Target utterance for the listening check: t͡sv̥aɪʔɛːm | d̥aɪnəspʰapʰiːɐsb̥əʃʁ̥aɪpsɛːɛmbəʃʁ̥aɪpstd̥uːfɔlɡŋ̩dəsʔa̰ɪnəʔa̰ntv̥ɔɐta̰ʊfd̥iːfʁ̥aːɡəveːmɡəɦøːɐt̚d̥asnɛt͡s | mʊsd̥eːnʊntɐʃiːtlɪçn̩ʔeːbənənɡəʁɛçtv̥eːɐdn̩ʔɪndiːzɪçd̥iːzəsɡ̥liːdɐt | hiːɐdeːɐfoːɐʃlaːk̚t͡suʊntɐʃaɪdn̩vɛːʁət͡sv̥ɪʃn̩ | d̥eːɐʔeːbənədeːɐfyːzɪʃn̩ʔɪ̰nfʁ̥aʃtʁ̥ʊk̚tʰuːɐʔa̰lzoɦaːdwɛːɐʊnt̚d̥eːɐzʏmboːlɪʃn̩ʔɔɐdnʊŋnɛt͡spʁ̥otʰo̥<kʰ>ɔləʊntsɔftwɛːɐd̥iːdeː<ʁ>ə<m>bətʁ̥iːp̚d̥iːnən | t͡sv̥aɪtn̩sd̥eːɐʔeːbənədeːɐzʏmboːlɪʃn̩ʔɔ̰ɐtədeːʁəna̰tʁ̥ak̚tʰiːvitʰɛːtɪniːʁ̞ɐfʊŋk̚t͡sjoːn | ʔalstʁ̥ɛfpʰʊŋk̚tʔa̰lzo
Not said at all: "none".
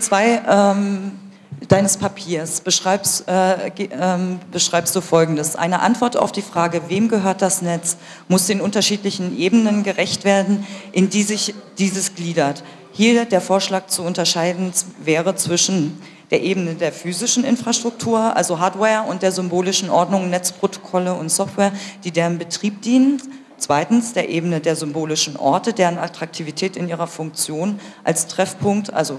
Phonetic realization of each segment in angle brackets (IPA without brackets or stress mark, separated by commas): kʰ, ʁ, n